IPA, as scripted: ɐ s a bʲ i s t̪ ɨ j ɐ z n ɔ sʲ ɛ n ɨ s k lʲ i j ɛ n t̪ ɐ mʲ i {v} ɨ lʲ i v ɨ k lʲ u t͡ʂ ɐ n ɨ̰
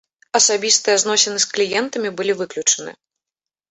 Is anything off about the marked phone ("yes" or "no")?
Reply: yes